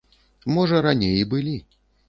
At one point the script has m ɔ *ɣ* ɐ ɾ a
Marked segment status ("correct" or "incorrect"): incorrect